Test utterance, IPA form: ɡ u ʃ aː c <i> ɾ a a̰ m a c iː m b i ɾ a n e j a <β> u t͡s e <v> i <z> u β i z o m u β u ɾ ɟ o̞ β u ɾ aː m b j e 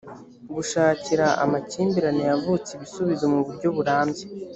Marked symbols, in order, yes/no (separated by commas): yes, no, no, no